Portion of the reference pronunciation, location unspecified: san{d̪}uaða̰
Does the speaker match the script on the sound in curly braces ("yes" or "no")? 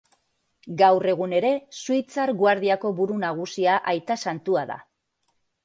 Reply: no